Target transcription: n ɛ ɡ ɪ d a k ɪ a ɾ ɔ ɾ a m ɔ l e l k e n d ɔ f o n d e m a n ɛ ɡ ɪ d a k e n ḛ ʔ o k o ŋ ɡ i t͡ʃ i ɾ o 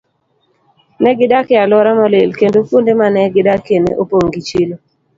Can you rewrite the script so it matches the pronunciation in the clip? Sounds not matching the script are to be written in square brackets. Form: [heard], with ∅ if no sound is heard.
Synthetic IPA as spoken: n ɛ ɡ ɪ d a k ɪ a [l] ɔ ɾ a m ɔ l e l k e n d [o] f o n d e m a n ɛ ɡ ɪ d a k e n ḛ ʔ o [p] o ŋ ɡ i t͡ʃ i [l] o